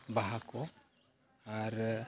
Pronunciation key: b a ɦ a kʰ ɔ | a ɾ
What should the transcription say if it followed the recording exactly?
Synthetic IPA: b a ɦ a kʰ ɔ | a ɾ

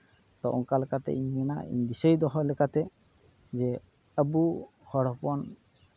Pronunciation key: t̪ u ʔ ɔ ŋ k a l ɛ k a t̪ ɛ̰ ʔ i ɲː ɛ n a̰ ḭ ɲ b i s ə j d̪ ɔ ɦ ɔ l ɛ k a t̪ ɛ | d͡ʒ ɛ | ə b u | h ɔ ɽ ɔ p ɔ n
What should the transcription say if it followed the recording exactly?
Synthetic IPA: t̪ ɔ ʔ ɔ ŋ k a l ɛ k a t̪ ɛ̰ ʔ i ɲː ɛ n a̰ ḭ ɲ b i s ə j d̪ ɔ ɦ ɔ l ɛ k a t̪ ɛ | d͡ʒ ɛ | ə b u | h ɔ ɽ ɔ p ɔ n

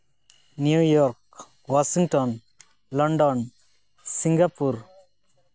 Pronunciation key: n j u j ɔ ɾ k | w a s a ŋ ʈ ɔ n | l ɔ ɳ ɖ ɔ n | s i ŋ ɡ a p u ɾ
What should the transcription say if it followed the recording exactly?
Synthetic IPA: n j u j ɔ ɾ k | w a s i ŋ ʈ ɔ n | l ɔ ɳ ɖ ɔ n | s i ŋ ɡ a p u ɾ

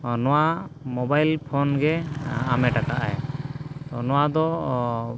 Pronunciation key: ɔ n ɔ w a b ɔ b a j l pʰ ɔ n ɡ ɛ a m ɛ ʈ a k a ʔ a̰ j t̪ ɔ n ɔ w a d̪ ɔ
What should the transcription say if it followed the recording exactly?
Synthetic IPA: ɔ n ɔ w a m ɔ b a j l pʰ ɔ n ɡ ɛ a m ɛ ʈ a k a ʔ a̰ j t̪ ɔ n ɔ w a d̪ ɔ

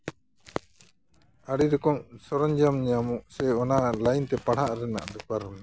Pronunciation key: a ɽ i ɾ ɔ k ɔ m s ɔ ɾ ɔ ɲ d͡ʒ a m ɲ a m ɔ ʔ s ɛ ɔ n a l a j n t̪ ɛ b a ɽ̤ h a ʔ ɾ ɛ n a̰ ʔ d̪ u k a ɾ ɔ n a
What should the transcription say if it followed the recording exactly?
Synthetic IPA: a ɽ i ɾ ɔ k ɔ m s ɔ ɾ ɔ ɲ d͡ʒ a m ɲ a m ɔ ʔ s ɛ ɔ n a l a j n t̪ ɛ p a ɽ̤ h a ʔ ɾ ɛ n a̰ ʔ d̪ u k a ɾ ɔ n a

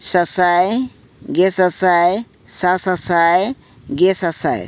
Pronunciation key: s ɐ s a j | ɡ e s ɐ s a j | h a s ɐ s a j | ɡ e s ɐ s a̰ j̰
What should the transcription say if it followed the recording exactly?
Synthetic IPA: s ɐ s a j | ɡ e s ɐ s a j | s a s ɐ s a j | ɡ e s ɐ s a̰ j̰

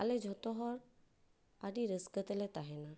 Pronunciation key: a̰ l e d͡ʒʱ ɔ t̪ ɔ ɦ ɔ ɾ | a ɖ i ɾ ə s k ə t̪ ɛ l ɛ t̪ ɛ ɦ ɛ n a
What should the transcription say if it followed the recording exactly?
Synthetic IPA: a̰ l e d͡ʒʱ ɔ t̪ ɔ ɦ ɔ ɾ | a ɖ i ɾ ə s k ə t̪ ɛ l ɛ t̪ a ɦ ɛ n a

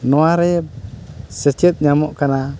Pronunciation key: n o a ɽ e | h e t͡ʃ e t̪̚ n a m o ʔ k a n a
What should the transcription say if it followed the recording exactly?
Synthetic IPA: n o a ɾ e | s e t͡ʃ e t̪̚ ɲ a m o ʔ k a n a

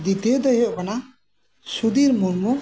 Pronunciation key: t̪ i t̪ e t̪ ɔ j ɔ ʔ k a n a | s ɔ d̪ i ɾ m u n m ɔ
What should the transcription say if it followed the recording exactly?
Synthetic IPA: d̪ i t̪ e d̪ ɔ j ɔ ʔ k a n a | s u d̪ i ɾ m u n m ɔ

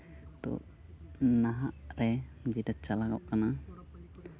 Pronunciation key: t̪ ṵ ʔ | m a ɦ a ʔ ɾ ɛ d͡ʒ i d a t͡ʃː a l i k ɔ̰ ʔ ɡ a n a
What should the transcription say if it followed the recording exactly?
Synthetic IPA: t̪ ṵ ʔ | n a ɦ a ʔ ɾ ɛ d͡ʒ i d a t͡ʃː a l a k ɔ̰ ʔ k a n a

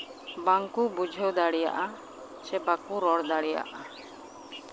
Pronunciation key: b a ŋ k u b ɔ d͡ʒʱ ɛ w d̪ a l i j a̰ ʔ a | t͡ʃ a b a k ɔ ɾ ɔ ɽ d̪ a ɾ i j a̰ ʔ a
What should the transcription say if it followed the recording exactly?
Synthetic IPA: b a ŋ k u b u d͡ʒʱ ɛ w d̪ a ɽ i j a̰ ʔ a | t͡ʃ ɛ b a k u ɾ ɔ ɽ d̪ a ɽ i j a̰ ʔ a

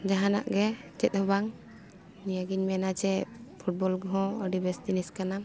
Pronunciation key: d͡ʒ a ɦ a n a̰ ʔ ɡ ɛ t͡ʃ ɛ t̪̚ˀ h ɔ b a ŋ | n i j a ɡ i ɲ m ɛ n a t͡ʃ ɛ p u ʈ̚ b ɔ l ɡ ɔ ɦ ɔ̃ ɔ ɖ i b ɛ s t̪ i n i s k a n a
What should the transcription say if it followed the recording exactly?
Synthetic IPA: d͡ʒ a ɦ a n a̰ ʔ ɡ ɛ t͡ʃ ɛ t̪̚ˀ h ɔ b a ŋ | n i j a ɡ i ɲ m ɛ n a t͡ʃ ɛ pʰ u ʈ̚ b ɔ l ɡ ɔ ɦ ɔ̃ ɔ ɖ i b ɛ s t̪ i n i s k a n a

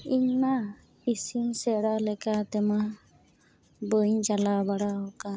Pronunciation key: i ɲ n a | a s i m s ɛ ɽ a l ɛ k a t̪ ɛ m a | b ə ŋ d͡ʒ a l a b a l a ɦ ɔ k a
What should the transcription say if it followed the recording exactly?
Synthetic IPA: i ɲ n a | i s i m s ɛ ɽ a l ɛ k a t̪ ɛ m a | b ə ɲ d͡ʒ a l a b a ɽ a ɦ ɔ k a

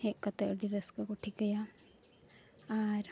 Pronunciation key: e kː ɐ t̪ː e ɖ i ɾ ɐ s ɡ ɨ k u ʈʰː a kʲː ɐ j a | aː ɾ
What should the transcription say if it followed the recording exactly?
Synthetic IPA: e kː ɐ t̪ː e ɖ i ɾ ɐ s k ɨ k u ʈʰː i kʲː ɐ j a | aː ɾ

